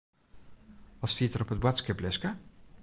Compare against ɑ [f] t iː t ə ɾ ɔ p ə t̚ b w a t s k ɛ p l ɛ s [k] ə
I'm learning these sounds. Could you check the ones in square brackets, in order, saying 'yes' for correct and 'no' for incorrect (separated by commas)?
no, yes